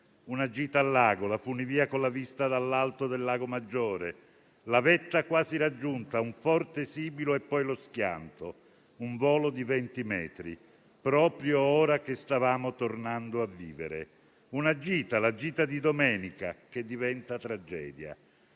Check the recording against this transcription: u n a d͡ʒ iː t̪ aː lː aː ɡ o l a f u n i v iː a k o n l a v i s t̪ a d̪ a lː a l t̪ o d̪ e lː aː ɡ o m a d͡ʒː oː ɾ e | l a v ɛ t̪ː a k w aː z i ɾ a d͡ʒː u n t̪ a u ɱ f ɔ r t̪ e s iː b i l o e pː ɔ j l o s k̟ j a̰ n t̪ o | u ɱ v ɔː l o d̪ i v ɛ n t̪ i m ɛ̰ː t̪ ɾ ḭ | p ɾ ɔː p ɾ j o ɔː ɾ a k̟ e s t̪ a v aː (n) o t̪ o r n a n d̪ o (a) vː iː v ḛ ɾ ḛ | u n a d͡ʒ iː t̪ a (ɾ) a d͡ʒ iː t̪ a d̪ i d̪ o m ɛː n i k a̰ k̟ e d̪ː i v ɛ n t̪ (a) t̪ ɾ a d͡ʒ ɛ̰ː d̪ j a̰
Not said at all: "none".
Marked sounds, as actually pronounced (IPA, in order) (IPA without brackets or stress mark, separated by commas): m, a, l, a